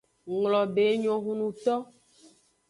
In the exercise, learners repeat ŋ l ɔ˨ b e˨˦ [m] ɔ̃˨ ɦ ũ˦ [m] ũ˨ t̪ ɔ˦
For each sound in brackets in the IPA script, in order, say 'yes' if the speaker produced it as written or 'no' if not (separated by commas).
no, no